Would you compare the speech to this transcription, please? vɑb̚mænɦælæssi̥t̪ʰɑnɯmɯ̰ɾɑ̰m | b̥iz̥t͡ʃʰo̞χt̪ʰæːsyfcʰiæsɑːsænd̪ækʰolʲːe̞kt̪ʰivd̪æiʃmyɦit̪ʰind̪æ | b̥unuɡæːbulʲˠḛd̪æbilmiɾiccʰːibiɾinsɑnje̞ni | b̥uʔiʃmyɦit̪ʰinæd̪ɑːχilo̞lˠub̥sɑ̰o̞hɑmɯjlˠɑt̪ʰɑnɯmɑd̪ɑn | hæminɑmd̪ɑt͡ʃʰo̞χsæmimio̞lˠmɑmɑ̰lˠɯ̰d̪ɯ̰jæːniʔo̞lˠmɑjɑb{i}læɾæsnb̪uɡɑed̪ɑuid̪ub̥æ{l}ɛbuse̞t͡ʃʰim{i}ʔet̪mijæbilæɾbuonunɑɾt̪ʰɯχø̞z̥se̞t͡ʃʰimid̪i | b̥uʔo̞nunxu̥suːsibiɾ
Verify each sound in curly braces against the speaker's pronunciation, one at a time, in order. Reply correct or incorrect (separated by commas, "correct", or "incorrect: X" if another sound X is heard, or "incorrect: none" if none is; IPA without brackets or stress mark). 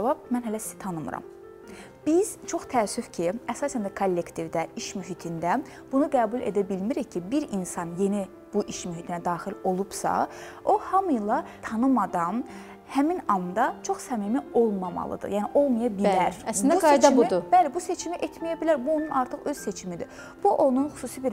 correct, correct, correct